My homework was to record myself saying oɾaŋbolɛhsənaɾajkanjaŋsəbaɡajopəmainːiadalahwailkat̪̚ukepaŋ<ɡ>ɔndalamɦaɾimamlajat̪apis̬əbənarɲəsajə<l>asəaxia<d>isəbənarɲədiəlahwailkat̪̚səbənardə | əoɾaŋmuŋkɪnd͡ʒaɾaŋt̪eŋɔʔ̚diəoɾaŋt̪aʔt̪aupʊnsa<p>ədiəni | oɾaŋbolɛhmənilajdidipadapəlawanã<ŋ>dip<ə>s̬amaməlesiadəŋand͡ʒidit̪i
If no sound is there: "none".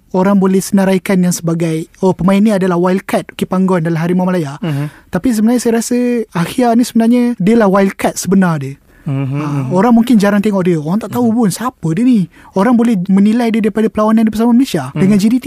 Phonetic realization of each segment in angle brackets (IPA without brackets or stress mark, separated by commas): ɡ, ɾ, n, p, n, ə